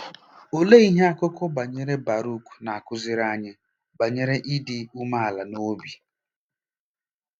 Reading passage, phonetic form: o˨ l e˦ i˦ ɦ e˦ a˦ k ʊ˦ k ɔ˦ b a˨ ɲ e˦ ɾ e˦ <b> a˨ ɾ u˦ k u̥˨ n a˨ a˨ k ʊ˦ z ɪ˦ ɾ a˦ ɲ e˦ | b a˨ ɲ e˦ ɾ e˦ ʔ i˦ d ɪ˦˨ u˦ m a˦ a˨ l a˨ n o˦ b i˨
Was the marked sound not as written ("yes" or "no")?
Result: no